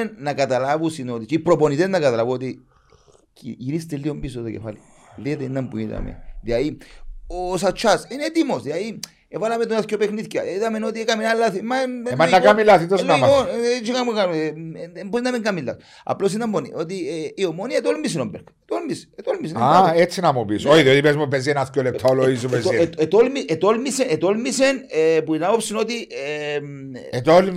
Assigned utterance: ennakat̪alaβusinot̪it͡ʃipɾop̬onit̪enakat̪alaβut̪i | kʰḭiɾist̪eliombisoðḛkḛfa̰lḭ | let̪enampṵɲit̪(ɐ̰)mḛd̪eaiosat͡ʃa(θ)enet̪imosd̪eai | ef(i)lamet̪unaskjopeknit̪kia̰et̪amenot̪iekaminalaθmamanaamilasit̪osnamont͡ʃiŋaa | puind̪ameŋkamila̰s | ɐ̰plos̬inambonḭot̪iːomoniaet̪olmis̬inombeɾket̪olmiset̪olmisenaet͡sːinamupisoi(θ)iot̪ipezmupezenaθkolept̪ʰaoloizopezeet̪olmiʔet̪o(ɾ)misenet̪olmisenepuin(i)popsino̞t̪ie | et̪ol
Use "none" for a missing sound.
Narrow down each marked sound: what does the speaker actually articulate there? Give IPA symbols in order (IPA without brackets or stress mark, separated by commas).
a̰, s, a, ð, l, a